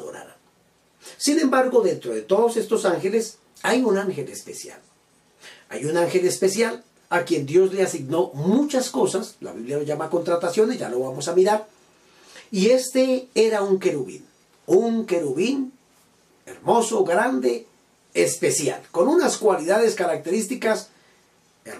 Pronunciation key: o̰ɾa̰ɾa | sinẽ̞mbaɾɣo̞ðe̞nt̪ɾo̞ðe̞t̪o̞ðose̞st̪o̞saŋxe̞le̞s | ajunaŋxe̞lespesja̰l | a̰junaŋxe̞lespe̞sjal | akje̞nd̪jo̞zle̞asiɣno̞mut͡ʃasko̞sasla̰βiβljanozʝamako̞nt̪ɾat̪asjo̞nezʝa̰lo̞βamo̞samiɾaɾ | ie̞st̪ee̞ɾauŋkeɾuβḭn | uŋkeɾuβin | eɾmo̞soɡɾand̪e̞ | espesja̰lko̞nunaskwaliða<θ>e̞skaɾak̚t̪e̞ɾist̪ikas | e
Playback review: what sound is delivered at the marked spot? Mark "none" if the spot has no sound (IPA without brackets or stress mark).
ð